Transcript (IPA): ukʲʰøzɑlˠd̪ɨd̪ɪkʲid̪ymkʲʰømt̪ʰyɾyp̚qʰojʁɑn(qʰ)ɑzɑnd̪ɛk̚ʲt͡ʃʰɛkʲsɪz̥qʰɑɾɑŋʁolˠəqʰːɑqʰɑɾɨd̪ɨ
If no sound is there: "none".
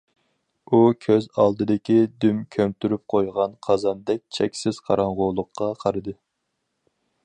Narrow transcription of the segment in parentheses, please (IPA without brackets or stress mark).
qʰ